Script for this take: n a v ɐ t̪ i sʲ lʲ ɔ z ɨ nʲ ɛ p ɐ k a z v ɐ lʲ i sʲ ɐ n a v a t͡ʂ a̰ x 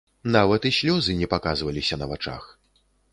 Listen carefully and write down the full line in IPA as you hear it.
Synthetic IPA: n a v ɐ t̪ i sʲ lʲ ɔ z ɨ nʲ ɛ p a k a z v ɐ lʲ i sʲ ɐ n ɐ v a t͡ʂ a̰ x